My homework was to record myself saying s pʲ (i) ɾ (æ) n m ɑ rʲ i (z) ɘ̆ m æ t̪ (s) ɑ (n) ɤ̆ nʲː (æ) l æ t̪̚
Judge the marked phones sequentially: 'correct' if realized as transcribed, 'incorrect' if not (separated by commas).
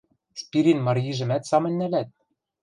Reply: correct, incorrect, incorrect, correct, incorrect, correct